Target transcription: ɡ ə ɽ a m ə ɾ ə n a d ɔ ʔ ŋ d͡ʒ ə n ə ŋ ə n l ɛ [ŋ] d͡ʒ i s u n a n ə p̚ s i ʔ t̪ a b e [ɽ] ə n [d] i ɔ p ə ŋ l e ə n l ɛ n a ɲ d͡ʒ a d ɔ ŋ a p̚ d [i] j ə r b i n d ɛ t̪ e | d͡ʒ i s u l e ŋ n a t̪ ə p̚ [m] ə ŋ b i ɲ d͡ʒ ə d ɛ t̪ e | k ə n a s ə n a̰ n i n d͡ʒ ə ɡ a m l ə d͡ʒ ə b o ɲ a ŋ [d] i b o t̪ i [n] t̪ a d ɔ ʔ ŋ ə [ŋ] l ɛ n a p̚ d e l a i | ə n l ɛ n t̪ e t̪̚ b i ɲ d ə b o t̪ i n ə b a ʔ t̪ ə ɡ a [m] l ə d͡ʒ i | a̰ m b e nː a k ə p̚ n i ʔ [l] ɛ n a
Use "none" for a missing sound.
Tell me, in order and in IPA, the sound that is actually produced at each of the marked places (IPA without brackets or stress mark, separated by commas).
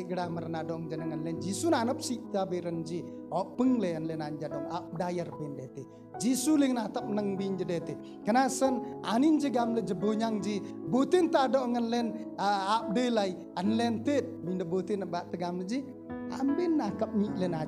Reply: n, ɾ, d͡ʒ, a, n, d͡ʒ, n, n, m, l